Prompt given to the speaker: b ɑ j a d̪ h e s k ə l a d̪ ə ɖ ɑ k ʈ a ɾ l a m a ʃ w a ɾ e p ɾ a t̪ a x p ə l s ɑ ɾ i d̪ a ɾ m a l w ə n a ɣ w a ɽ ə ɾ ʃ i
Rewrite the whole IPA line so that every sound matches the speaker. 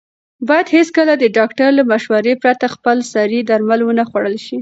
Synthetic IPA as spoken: b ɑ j a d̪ h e s k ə l a d̪ ə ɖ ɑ k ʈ a ɾ l a m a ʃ w a ɾ e p ɾ a t̪ a x p ə l s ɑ ɾ i d̪ a ɾ m a l w ə n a x w a ɽ ə l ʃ i